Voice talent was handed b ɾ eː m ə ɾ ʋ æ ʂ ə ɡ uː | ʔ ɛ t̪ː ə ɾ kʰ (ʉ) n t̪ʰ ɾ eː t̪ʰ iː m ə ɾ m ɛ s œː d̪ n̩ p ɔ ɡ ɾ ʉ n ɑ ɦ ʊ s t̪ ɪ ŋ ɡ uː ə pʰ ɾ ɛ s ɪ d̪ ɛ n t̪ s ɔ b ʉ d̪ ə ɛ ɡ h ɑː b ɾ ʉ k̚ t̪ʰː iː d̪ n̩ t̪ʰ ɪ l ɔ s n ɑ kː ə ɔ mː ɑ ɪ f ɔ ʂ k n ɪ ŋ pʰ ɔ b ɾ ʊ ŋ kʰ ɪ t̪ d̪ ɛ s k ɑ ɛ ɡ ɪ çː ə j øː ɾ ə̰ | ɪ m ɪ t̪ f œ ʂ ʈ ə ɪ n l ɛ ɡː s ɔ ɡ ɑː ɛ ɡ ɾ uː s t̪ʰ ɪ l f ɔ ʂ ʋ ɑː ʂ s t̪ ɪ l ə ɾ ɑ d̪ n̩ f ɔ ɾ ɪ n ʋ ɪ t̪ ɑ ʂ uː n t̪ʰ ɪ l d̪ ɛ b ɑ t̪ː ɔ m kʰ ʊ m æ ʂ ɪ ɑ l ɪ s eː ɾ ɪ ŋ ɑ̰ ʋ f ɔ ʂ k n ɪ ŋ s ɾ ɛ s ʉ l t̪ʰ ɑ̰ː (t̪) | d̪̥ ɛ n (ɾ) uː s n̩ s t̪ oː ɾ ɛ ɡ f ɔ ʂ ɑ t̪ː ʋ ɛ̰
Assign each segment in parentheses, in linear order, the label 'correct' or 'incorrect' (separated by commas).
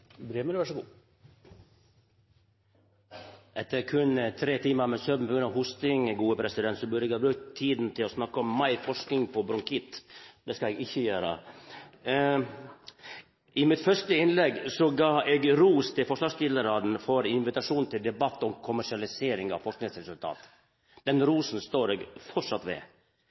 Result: correct, correct, correct